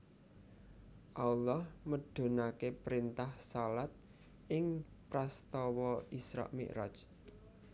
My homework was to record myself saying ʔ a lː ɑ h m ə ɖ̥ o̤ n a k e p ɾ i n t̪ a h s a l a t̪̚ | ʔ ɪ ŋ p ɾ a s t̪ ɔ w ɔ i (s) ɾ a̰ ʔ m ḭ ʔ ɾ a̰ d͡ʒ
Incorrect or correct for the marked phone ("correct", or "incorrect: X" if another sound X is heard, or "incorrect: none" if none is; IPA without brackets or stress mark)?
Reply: correct